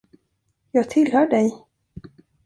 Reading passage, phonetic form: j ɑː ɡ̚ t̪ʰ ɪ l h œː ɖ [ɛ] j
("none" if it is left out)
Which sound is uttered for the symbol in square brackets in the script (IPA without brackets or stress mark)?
ɛ